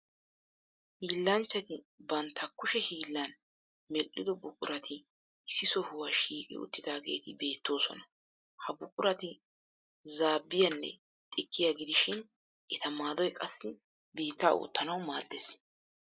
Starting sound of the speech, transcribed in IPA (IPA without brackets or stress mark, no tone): h